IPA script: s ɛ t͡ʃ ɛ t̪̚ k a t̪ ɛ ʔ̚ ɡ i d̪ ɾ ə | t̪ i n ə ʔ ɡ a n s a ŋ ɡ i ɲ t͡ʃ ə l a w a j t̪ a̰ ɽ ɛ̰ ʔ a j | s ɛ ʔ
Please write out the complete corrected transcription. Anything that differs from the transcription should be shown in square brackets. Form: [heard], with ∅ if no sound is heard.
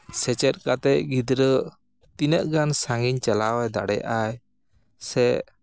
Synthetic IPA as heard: s ɛ t͡ʃ ɛ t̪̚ k a t̪ ɛ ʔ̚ ɡ i d̪ ɾ ə | t̪ i n ə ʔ ɡ a n s a ŋ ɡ i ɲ t͡ʃ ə l a w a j [d̪] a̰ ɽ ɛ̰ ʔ a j | s ɛ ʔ